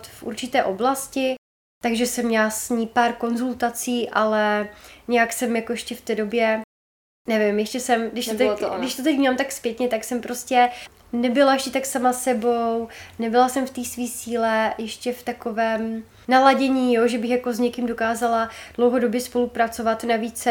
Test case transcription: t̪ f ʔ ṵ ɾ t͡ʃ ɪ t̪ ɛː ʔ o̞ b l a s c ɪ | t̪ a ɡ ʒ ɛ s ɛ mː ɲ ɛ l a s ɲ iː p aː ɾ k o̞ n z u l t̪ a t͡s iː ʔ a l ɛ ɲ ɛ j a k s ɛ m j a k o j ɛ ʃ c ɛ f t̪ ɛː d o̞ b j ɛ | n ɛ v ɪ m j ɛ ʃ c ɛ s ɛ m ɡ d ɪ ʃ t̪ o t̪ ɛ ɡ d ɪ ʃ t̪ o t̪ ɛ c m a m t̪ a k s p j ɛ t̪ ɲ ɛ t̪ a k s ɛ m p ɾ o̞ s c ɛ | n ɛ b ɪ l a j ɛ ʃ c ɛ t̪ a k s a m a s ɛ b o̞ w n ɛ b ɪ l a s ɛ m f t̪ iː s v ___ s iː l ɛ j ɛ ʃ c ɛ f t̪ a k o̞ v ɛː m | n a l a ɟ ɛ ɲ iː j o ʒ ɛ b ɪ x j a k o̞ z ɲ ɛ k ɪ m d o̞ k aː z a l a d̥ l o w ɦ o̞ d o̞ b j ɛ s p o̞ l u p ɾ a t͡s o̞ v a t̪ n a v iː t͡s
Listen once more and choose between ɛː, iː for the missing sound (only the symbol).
iː